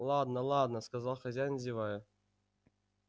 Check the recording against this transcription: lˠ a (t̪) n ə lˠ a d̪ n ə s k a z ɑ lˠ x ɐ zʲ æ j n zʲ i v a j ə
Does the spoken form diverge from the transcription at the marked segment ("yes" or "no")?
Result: yes